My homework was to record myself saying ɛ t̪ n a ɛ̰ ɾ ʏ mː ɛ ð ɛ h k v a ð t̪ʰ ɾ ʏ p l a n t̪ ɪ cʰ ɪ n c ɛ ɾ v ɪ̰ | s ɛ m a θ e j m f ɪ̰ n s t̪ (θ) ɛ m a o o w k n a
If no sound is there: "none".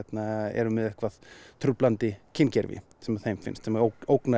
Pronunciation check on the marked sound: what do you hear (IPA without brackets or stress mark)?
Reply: s